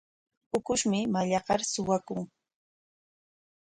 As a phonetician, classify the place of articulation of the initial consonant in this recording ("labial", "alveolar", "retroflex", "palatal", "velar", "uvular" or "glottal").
velar